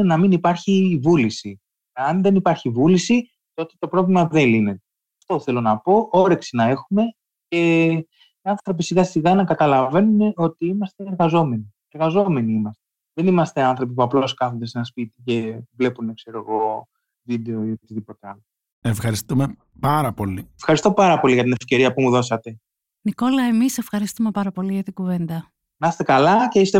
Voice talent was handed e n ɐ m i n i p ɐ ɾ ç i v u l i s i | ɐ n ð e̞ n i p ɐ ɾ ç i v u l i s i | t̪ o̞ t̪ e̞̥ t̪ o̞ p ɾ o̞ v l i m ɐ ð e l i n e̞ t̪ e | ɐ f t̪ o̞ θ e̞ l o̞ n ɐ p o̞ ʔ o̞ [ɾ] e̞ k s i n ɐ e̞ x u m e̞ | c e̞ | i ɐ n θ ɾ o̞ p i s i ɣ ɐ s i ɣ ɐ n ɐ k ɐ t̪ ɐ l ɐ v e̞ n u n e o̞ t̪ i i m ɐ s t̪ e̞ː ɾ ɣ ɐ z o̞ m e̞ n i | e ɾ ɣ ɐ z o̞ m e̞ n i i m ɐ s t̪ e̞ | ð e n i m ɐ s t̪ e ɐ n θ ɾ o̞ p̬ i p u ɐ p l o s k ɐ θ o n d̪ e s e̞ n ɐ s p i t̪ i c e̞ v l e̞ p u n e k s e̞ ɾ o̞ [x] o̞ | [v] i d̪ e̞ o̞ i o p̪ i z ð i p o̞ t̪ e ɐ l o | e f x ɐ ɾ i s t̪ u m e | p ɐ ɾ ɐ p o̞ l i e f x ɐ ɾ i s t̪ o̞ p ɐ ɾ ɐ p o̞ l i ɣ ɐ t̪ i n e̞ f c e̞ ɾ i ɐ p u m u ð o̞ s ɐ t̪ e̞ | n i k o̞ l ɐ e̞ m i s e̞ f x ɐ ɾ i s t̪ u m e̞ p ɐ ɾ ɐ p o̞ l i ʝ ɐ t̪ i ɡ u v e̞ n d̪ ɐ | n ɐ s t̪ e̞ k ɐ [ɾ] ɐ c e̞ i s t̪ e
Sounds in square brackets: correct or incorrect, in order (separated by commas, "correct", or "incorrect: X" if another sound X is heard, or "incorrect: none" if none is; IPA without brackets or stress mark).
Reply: correct, incorrect: ɣ, correct, incorrect: l